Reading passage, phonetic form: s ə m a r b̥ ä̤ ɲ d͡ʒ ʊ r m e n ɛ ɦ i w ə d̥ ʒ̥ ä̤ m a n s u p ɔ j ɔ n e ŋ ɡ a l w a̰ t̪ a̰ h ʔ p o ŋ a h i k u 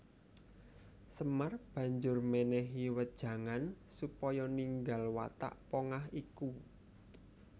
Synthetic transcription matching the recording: s ə m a r b̥ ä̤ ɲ d͡ʒ ʊ r m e n ɛ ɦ i w ə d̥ ʒ̥ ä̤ ŋ a n s u p ɔ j ɔ n i ŋ ɡ a l w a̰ t̪ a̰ ʔ p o ŋ a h i k u

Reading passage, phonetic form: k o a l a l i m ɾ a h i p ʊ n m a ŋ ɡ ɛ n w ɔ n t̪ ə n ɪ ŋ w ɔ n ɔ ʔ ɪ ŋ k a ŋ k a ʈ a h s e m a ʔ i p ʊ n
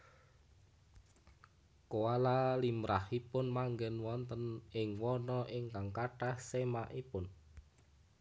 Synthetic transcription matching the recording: k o a l a l i m ɾ a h i p ʊ n m a ŋ ɡ ɛ n w ɔ n t̪ ə n ɪ ŋ w ɔ n ɔ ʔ ɪ ŋ k a ŋ k a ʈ a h s e m a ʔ i p ʊ n

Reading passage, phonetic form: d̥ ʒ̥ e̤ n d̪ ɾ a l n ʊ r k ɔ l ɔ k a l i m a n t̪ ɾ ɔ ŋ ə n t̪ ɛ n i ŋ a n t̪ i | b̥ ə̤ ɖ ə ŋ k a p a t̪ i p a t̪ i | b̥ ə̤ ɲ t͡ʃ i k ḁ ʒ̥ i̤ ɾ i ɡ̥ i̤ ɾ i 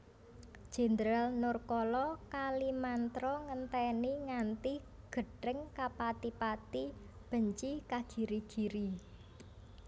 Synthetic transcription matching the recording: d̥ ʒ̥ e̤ n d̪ ɾ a l n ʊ r k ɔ l ɔ k a l i m a n t̪ ɾ ɔ ŋ ə n t̪ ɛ n i ŋ a n t̪ i | ɡ̥ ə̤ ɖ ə ŋ k a p a t̪ i p a t̪ i | b̥ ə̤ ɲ t͡ʃ i k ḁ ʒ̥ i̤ ɾ i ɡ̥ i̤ ɾ i

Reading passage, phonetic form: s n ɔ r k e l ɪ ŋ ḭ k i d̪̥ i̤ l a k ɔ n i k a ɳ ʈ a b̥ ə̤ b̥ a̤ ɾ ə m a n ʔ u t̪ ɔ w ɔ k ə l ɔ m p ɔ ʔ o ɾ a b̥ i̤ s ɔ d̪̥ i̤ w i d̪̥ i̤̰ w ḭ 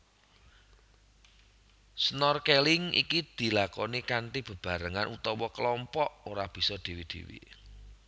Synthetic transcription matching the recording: s n ɔ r k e l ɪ ŋ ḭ k i d̪̥ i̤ l a k ɔ n i k a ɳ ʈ i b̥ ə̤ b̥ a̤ ɾ ə ŋ a n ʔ u t̪ ɔ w ɔ k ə l ɔ m p ɔ ʔ o ɾ a b̥ i̤ s ɔ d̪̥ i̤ w i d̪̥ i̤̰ w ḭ

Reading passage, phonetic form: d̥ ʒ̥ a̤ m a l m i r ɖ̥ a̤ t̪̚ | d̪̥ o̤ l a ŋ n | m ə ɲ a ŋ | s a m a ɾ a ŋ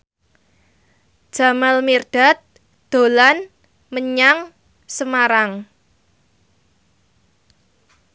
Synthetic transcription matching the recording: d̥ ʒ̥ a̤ m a l m i r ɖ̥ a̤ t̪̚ | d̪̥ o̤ l a n | m ə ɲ a ŋ | s ə m a ɾ a ŋ

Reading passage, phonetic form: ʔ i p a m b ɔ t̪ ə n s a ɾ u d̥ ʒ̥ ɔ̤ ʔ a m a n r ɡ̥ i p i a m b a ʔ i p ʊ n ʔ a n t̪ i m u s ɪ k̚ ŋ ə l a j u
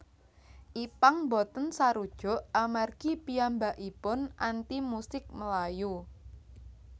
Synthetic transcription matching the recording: ʔ i p a ŋ b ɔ t̪ ə n s a ɾ u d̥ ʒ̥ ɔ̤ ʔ a m a r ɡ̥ i p i a m b a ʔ i p ʊ n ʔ a n t̪ i m u s ɪ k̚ m ə l a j u

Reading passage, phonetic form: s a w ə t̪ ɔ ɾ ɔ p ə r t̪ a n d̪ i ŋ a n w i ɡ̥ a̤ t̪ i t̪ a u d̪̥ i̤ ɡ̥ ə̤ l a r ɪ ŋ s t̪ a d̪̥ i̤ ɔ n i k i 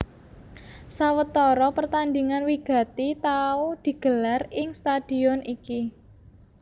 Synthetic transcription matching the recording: s a w ə t̪ ɔ ɾ ɔ p ə r t̪ a n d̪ i ŋ a n w i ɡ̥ a̤ t̪ i t̪ a u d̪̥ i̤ ɡ̥ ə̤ l a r ɪ ŋ s t̪ a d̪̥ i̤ ɔ n i k i

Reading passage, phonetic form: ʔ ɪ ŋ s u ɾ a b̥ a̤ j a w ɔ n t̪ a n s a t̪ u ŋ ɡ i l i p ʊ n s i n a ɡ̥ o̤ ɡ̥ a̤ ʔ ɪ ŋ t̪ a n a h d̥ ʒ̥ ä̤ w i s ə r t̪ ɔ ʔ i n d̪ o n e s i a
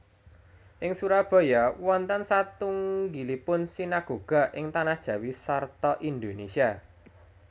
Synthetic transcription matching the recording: ʔ ɪ ŋ s u ɾ a b̥ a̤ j a w ɔ n t̪ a n s a t̪ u ŋ ɡ i l i p ʊ n s i n a ɡ̥ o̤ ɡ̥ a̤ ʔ ɪ ŋ t̪ a n a h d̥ ʒ̥ ä̤ w i s a r t̪ ɔ ʔ i n d̪ o n e s i a

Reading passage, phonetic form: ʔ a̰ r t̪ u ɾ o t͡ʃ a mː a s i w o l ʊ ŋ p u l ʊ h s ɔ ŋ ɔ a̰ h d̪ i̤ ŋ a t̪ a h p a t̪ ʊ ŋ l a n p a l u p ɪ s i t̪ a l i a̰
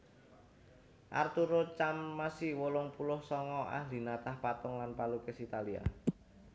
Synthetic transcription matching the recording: ʔ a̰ r t̪ u ɾ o t͡ʃ a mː a s i w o l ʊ ŋ p u l ʊ h s ɔ ŋ ɔ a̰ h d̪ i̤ n a t̪ a h p a t̪ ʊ ŋ l a n p a l u k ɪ s i t̪ a l i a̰

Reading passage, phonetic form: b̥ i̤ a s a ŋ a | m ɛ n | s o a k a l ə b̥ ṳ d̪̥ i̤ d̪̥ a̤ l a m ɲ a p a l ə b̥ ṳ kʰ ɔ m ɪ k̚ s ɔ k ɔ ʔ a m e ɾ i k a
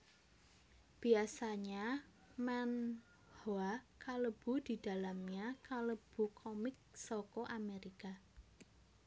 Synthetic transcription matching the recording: b̥ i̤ a s a ɲ a | m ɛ n | h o a k a l ə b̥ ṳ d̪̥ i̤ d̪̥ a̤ l a m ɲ a k a l ə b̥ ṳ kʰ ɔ m ɪ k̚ s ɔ k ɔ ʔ a m e ɾ i k a

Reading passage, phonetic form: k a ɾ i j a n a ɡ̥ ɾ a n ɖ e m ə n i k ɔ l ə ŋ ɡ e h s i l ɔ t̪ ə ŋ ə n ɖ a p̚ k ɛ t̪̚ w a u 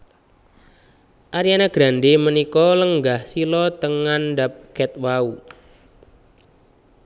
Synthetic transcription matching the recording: ʔ a ɾ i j a n a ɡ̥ ɾ a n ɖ e m ə n i k ɔ l ə ŋ ɡ a h s i l ɔ t̪ ə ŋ a n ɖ a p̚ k ɛ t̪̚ w a u

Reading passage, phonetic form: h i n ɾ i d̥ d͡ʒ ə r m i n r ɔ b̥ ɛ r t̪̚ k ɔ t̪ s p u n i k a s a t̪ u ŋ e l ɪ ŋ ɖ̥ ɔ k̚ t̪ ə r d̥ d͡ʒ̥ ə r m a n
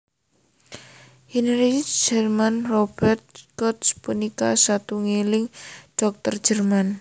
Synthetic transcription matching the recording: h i n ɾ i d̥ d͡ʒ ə r m a n r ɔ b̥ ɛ r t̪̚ k ɔ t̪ s p u n i k a s a t̪ u ŋ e l ɪ ŋ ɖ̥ ɔ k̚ t̪ ə r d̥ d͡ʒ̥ ə r m a n

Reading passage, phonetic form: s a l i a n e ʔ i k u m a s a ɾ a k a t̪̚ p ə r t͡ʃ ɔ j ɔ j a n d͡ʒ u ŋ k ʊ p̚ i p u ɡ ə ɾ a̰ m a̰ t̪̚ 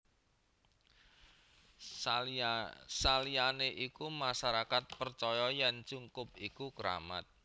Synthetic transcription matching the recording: s a l i a n e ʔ i k u m a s a ɾ a k a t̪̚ p ə r t͡ʃ ɔ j ɔ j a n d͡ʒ u ŋ k ʊ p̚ i k u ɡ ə ɾ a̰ m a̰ t̪̚

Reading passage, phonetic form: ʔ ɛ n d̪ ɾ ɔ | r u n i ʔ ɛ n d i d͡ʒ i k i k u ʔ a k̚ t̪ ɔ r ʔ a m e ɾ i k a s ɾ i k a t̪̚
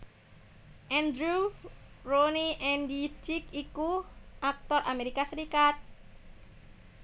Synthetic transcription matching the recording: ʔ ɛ n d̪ ɾ u | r o n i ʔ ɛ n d i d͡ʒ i k i k u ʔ a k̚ t̪ ɔ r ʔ a m e ɾ i k a s ɾ i k a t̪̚

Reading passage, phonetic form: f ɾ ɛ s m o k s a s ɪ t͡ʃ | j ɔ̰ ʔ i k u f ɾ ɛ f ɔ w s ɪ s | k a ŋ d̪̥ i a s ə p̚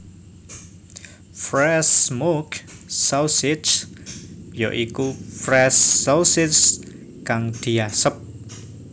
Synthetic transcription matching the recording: f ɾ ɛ s m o k s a s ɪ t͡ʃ | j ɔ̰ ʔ i k u f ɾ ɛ s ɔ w s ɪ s | k a ŋ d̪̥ i a s ə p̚

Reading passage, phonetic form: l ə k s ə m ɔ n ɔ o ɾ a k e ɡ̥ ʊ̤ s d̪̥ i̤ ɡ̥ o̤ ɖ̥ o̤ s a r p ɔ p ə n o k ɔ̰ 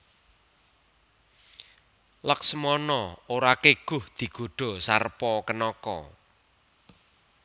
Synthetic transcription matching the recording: l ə k s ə m ɔ n ɔ o ɾ a k e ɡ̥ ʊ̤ h d̪̥ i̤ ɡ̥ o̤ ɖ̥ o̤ s a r p ɔ k ə n ɔ k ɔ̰

